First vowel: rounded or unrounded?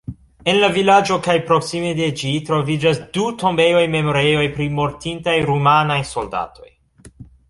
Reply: unrounded